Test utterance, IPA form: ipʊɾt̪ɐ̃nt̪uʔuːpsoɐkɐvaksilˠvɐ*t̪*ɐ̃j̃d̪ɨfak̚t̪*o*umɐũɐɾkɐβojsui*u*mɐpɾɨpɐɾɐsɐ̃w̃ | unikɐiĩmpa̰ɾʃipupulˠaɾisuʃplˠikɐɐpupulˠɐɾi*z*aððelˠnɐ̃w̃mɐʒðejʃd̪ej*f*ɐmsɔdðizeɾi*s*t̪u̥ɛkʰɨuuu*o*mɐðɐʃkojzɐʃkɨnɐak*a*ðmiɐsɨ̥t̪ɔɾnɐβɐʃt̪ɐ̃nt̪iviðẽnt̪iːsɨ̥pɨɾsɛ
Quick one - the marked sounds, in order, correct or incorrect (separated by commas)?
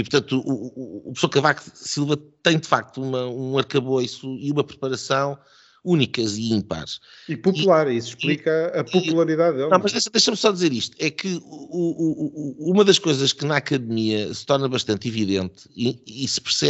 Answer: correct, incorrect, correct, incorrect, incorrect, incorrect, incorrect, incorrect